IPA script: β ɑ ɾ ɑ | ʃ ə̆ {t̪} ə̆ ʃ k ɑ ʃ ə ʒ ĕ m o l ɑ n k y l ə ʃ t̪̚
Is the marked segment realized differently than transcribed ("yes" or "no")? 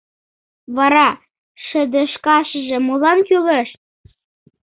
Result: yes